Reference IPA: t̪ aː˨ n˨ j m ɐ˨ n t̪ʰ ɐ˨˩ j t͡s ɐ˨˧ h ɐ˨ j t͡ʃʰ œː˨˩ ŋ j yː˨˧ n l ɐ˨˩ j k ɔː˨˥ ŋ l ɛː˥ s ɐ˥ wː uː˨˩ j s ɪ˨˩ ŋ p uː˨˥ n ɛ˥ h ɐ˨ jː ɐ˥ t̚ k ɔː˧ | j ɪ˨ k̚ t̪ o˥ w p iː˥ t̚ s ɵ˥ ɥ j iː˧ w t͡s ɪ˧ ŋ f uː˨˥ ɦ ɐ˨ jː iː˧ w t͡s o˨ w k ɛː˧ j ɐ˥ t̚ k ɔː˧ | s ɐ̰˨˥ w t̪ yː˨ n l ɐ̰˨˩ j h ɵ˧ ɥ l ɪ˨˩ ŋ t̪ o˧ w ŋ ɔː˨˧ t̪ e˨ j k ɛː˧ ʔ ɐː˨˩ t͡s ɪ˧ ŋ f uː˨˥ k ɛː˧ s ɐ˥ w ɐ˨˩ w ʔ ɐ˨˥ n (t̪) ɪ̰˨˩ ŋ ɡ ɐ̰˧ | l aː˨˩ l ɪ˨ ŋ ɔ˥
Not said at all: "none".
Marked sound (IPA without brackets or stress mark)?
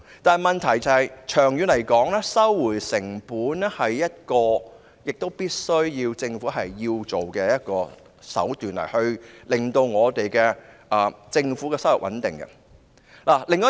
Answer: t̪